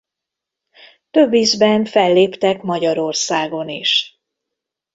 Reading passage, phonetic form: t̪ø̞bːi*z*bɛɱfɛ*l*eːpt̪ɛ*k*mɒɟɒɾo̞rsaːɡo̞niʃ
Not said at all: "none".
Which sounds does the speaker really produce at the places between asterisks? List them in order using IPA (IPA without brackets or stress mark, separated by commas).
z, lː, k